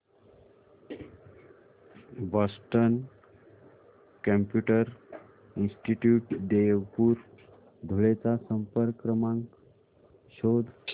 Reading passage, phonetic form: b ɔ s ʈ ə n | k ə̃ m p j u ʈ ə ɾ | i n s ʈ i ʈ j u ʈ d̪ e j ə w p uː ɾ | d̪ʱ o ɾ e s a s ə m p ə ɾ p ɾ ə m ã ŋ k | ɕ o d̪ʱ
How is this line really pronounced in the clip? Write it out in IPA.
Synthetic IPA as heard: b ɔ s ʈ ə n | k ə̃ m p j u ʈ ə ɾ | i n s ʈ i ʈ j u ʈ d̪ e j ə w p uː ɾ | d̪ʱ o ɭ e t͡s a s ə m p ə ɾ k ɾ ə m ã ŋ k | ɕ o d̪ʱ